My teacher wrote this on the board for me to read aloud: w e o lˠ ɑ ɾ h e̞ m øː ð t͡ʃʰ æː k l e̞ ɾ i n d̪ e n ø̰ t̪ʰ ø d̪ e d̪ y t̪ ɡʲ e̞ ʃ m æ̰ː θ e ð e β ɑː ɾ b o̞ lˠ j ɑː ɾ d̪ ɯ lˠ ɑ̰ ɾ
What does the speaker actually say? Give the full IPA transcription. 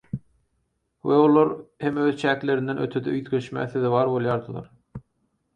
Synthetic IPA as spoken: w e o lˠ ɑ ɾ h e̞ m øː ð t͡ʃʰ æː k l e̞ ɾ i n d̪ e n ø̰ t̪ʰ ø d̪ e y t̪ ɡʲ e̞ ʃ m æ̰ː θ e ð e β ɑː ɾ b o̞ lˠ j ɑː ɾ d̪ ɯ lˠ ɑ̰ ɾ

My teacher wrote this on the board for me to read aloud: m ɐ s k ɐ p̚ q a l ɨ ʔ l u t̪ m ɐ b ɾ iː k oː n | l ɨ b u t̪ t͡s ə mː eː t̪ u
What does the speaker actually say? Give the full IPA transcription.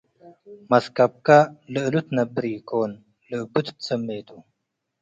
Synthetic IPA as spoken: m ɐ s k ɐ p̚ k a l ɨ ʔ l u t̪ n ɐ b ɾ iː k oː n | l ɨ b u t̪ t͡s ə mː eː t̪ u

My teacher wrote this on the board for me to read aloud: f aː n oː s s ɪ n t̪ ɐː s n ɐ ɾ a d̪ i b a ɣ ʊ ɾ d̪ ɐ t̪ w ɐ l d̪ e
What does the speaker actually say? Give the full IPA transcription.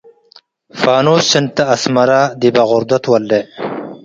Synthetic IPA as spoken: f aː n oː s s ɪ n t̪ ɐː s m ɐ ɾ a d̪ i b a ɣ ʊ ɾ d̪ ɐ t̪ w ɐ l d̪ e

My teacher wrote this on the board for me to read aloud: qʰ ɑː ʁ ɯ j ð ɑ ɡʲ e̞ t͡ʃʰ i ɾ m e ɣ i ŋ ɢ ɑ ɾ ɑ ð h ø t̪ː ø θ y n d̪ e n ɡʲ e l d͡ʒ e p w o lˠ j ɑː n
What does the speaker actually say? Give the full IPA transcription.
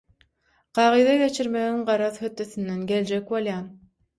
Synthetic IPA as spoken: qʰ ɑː ʁ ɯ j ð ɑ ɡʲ e̞ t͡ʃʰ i ɾ m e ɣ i ŋ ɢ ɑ ɾ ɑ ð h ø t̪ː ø θ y n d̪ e n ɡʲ e l d͡ʒ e k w o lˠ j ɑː n

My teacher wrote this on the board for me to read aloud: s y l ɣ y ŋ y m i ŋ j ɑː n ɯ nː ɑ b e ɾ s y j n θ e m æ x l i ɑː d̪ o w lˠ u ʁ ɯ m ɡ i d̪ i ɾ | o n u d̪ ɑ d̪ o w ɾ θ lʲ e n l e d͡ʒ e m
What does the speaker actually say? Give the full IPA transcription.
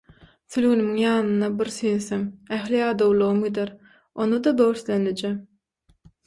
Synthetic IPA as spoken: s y l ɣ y n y m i ŋ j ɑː n ɯ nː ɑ b i ɾ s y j n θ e m æ x l i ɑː d̪ o w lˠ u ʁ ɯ m ɡ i d̪ e ɾ | o n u d̪ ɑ d̪ o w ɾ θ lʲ e n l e d͡ʒ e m

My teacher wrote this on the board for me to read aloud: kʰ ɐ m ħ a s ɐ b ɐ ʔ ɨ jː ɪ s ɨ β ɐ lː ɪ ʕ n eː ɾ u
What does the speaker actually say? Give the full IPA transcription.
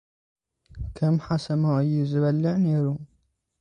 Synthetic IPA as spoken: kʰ ɐ m ħ a s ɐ m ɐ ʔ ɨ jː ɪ z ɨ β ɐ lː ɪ ʕ n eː ɾ u

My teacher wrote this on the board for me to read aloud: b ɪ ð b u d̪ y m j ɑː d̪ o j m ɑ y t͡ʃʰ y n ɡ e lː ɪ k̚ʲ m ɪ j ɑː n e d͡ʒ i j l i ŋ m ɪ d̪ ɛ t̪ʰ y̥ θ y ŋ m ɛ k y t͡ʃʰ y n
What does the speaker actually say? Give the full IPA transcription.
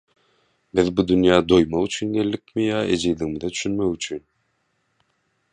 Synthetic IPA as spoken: b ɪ ð b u d̪ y n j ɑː d̪ o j m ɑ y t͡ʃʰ y n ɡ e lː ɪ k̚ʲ m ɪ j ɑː e d͡ʒ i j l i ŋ m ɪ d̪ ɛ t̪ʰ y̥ ʃ y n m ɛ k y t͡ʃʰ y n

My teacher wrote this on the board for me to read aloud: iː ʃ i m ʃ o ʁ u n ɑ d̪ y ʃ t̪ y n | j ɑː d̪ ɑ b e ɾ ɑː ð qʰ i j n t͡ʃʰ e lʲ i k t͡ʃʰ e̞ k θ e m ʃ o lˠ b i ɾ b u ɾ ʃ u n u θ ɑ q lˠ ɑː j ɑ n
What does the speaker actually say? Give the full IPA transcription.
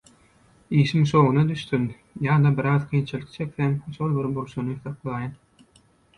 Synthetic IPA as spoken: iː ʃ i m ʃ o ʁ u n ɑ d̪ y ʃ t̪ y n | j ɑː d̪ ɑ b i ɾ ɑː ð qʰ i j n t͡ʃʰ i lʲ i k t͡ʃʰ e̞ k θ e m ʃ o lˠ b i ɾ b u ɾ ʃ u n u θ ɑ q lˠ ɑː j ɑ n

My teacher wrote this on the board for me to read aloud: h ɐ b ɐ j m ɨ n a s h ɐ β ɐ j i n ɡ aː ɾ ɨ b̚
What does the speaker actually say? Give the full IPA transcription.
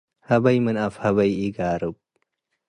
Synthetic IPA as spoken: h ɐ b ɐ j m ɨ n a f h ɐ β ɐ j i ɡ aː ɾ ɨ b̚

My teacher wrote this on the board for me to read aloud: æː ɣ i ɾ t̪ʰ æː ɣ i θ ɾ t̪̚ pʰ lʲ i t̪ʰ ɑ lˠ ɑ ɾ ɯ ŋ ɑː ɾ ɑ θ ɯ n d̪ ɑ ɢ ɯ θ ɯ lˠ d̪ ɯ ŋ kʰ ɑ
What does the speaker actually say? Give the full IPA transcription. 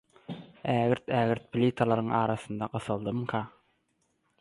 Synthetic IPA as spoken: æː ɣ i ɾ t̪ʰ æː ɣ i ɾ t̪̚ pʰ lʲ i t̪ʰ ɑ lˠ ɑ ɾ ɯ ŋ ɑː ɾ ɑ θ ɯ n d̪ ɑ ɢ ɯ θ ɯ lˠ d̪ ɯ m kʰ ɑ

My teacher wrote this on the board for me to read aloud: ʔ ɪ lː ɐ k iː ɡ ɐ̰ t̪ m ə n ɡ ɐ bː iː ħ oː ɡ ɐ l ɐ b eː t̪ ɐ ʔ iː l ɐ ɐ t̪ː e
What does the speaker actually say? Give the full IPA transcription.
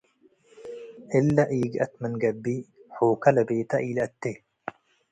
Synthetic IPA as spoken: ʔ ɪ lː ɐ ʔ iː ɡ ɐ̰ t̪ m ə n ɡ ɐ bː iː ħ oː k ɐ l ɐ b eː t̪ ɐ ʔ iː l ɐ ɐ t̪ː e

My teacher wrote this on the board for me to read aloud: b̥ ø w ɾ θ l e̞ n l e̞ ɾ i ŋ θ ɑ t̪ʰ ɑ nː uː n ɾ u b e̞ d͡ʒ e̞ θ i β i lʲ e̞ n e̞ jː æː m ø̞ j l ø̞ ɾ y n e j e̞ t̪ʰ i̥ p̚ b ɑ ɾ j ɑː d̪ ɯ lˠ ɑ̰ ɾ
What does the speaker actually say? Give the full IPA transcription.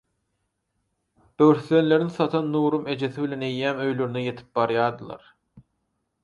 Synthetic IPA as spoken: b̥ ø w ɾ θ l e̞ n l e̞ ɾ i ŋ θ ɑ t̪ʰ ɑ nː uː ɾ u m e̞ d͡ʒ e̞ θ i β i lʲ e̞ n e̞ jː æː m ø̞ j l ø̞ ɾ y n e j e̞ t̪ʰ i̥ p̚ b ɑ ɾ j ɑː d̪ ɯ lˠ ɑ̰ ɾ

